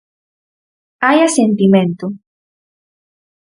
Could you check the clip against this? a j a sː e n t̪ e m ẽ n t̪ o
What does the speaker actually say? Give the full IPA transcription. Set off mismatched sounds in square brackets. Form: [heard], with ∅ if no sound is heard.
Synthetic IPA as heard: a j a [s] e n t̪ [i] m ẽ n t̪ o